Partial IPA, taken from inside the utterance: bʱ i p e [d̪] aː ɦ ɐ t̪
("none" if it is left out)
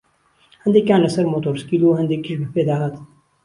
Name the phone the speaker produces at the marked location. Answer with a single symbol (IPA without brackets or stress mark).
d̪